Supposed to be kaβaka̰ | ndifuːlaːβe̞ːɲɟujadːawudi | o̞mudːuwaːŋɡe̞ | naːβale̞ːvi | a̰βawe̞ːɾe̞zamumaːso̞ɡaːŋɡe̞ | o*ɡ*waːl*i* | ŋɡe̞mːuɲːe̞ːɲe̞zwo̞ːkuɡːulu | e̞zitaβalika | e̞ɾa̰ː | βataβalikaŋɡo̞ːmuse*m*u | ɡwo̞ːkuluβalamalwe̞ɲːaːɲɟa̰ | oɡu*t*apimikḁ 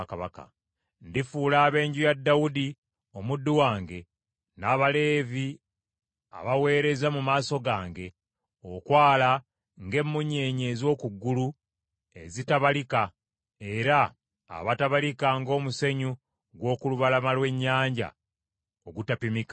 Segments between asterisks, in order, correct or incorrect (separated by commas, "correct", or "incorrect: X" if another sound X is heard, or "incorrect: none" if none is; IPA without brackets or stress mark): incorrect: k, incorrect: a, incorrect: ɲ, correct